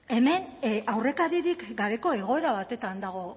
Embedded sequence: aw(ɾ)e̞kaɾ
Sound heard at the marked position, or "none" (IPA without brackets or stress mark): r